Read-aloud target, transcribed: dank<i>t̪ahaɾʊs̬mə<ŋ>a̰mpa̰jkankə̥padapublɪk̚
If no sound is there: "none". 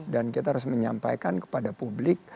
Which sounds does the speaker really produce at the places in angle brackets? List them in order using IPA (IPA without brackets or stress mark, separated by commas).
i, ɲ